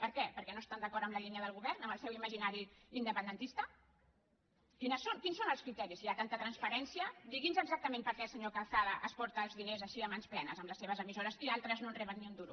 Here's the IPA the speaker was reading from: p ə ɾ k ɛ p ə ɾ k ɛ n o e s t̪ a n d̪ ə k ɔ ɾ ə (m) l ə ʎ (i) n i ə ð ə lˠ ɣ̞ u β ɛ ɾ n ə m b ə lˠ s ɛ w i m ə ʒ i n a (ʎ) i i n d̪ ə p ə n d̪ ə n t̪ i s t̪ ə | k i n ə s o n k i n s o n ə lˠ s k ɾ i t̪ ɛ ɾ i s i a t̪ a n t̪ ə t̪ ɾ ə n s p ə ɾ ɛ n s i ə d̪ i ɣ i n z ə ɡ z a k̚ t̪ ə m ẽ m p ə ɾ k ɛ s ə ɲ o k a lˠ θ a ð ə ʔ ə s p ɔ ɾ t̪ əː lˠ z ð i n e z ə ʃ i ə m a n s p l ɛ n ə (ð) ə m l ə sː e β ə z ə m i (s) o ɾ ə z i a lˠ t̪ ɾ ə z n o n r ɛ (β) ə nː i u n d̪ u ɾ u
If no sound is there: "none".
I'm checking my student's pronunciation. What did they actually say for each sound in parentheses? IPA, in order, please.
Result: m, i, ɾ, z, z, β

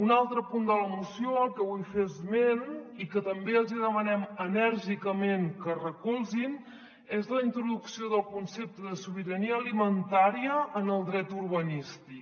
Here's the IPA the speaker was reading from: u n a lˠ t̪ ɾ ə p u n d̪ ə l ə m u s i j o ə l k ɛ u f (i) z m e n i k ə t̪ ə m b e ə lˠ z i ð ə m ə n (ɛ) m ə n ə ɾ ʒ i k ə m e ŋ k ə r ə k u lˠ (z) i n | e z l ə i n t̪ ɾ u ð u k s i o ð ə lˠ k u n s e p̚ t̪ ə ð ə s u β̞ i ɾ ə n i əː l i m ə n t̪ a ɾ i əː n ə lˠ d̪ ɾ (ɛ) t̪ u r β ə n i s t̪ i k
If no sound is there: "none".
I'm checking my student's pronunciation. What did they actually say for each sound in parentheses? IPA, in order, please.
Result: e, ɛ, z, ɛ

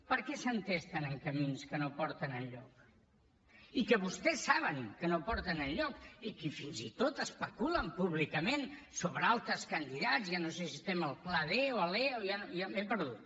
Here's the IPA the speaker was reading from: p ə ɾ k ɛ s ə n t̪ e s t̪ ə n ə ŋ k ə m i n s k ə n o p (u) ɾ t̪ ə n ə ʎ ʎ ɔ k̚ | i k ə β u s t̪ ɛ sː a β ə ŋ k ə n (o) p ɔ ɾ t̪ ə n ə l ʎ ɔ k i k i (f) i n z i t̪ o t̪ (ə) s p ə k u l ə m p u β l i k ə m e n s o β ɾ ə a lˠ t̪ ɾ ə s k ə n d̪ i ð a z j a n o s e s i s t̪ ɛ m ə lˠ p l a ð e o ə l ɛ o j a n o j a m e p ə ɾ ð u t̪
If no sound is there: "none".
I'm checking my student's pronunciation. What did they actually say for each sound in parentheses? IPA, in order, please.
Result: ɔ, o, f, ə

